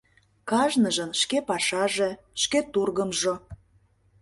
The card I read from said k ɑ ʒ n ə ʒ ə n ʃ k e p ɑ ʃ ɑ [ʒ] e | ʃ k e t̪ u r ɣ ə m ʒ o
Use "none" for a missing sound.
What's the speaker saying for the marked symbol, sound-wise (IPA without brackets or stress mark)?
ʒ